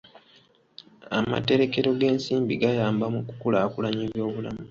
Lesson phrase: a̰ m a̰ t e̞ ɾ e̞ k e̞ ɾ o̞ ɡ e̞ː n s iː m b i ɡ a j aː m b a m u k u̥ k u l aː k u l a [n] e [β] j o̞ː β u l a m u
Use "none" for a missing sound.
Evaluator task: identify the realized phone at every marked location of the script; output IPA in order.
ɲ, β

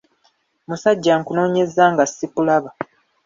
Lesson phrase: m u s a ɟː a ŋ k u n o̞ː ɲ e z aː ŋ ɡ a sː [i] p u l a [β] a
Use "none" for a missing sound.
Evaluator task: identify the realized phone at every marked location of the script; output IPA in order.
i, β

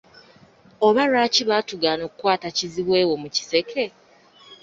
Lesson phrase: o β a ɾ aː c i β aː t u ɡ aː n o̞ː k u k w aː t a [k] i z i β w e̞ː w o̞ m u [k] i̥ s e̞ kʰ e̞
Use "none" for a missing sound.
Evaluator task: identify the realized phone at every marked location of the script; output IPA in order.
c, c

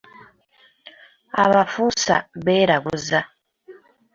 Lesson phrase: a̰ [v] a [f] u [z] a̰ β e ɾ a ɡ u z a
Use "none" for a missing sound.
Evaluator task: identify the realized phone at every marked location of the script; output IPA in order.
β, f, s

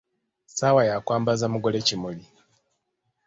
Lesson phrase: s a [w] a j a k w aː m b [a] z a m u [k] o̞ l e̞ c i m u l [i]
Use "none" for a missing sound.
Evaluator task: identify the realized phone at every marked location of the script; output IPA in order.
w, a, ɡ, i

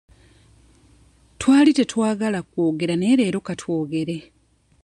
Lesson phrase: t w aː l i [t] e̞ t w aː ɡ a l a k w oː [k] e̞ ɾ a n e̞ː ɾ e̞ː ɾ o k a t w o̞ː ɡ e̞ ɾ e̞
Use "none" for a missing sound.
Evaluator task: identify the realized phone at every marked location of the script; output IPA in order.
t, ɡ

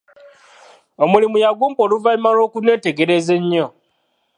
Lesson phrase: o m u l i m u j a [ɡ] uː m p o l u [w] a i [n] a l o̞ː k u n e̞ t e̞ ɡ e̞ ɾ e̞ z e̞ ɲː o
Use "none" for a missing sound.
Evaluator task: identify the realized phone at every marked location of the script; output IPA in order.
ɡ, v, m

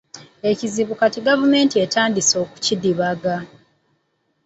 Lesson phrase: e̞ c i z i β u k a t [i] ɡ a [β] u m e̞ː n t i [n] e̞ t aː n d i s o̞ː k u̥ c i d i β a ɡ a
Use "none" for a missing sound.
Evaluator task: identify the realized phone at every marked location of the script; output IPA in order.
i, v, none

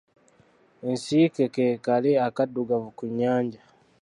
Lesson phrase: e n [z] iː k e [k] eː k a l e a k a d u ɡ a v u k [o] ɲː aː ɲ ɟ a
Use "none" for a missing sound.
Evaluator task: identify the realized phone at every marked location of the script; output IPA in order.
s, k, u

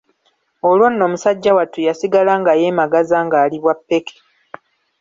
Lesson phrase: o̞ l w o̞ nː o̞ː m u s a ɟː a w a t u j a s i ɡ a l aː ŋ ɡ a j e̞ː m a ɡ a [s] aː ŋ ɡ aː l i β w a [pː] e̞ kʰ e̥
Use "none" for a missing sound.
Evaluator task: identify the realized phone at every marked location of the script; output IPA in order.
z, pː

